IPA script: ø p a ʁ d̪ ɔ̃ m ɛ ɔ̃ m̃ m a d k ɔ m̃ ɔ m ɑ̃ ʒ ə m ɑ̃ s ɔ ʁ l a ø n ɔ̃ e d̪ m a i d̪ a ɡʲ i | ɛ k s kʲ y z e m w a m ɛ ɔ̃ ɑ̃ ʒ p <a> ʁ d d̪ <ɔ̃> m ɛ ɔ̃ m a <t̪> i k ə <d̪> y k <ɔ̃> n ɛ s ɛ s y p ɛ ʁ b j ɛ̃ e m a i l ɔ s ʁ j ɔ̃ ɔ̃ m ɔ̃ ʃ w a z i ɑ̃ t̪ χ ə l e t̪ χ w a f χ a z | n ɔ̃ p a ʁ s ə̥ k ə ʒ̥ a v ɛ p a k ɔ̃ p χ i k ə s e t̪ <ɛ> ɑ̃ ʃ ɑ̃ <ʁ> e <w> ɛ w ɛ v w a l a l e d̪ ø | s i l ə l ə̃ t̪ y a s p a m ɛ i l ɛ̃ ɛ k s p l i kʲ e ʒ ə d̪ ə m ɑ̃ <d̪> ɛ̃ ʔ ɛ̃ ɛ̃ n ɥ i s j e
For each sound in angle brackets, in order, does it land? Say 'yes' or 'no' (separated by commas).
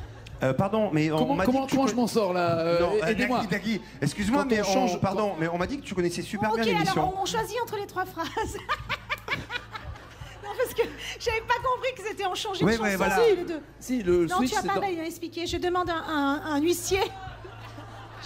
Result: yes, yes, no, no, no, yes, no, yes, yes